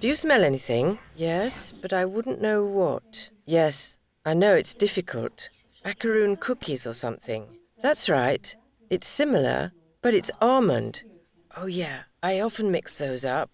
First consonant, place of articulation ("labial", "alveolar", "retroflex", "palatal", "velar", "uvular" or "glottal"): alveolar